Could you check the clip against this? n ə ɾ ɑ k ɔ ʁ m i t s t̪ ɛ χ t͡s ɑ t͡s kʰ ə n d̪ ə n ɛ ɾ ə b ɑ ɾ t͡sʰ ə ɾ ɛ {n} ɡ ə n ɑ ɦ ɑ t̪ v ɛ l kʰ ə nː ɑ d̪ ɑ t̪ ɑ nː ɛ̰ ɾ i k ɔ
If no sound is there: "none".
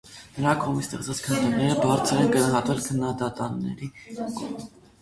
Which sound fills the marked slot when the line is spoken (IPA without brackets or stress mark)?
n